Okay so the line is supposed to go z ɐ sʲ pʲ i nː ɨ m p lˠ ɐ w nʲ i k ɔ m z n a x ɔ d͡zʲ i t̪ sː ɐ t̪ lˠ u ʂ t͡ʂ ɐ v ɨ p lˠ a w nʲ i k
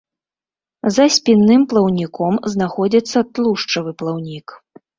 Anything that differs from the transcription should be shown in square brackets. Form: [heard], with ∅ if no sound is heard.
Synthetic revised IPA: z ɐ sʲ pʲ i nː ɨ m p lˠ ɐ w nʲ i k ɔ m z n a x ɔ d͡zʲ i t̪ sː ɐ t̪ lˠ u ʂ t͡ʂ ɐ v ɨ p lˠ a w nʲ i k

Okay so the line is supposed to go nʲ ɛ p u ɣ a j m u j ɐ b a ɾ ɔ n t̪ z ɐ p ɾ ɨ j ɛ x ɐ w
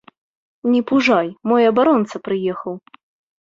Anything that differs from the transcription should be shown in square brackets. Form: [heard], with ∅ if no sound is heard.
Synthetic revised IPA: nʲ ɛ p u [ʐ] a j m [ɔ] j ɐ b a ɾ ɔ n t̪ [s] ɐ p ɾ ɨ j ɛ x ɐ w

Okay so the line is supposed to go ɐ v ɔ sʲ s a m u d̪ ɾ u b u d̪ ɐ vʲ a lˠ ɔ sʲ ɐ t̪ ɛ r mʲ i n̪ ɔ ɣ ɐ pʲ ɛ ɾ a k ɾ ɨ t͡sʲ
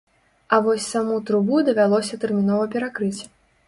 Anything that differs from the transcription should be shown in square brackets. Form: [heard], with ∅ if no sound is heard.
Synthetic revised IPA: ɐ v ɔ sʲ s a m u [t̪] ɾ u b u d̪ ɐ vʲ a lˠ ɔ sʲ ɐ t̪ ɛ r mʲ i n̪ ɔ [v] ɐ pʲ ɛ ɾ a k ɾ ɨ t͡sʲ

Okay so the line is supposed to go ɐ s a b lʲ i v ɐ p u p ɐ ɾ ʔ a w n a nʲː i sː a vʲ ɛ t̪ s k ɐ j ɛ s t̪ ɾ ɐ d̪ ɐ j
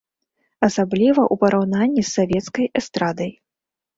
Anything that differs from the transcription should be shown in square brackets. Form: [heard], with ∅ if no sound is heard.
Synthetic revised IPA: ɐ s a b lʲ i v ɐ [ʔ] u p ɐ ɾ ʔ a w n a nʲː i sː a vʲ ɛ t̪ s k ɐ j ɛ s t̪ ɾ [a] d̪ ɐ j

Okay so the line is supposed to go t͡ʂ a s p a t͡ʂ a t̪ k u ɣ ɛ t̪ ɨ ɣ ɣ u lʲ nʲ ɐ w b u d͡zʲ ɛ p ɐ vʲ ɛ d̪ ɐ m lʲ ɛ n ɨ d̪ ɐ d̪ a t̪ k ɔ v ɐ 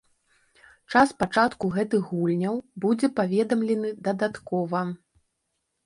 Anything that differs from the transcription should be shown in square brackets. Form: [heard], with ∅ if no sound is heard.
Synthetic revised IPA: t͡ʂ a s p a t͡ʂ a t̪ k u ɣ ɛ t̪ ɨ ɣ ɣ u lʲ nʲ ɐ w b u d͡zʲ ɛ p [a] vʲ ɛ d̪ ɐ m lʲ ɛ n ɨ d̪ ɐ d̪ a t̪ k ɔ v ɐ

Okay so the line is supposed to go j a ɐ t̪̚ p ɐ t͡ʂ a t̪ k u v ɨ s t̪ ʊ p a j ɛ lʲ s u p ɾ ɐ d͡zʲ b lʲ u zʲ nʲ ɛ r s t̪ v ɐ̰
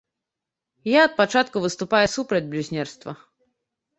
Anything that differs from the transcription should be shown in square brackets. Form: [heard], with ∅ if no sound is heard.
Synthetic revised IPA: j a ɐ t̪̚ p [a] t͡ʂ a t̪ k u v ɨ s t̪ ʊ p a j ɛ [∅] s u p ɾ ɐ d͡zʲ b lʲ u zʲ nʲ ɛ r s t̪ v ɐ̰

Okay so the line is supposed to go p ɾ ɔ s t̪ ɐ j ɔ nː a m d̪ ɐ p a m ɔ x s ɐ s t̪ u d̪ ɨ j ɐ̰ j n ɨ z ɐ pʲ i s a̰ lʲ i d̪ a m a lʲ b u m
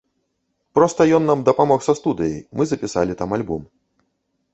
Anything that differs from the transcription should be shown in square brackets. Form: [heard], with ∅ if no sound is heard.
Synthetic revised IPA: p ɾ ɔ s t̪ ɐ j ɔ nː a m d̪ ɐ p a m ɔ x s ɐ s t̪ u d̪ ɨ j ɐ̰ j [m] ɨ z ɐ pʲ i s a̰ lʲ i [t̪] a m a lʲ b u m

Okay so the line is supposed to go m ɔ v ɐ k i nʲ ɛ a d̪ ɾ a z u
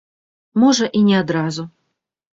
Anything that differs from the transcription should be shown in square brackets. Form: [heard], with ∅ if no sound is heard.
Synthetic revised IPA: m ɔ [ʐ] ɐ [ʔ] i nʲ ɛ a d̪ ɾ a z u

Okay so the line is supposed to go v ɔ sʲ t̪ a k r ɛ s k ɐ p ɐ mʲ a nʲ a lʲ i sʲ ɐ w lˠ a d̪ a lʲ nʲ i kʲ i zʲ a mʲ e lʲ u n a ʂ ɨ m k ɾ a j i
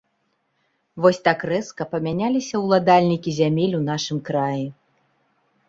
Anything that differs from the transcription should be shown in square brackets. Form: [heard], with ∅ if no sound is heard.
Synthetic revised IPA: v ɔ sʲ t̪ a k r ɛ s k ɐ p ɐ mʲ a nʲ a lʲ i sʲ ɐ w lˠ a d̪ a lʲ nʲ i kʲ i zʲ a mʲ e lʲ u n a ʂ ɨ m k ɾ a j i

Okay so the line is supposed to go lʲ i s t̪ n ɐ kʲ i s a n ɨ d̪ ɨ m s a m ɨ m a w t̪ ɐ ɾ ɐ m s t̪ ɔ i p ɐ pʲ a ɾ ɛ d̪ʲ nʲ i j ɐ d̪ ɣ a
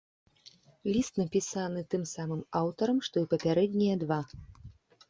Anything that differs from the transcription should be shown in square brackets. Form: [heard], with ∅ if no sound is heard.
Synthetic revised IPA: lʲ i s t̪ n ɐ [pʲ] i s a n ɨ [t̪] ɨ m s a m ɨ m a w t̪ ɐ ɾ ɐ m [ʂ] t̪ ɔ i p ɐ pʲ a ɾ ɛ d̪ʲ nʲ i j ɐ d̪ [v] a

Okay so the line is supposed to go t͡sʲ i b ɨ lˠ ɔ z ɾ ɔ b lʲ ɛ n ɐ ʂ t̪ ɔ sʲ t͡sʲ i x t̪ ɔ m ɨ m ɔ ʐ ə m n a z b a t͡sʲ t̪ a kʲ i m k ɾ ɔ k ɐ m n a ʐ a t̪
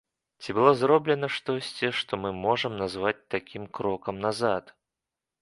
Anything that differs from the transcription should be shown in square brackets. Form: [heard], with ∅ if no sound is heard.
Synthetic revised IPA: t͡sʲ i b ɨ lˠ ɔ z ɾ ɔ b lʲ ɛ n ɐ ʂ t̪ ɔ sʲ t͡sʲ i [ʂ] t̪ ɔ m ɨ m ɔ ʐ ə m n a z [v] a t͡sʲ t̪ a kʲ i m k ɾ ɔ k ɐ m n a [z] a t̪

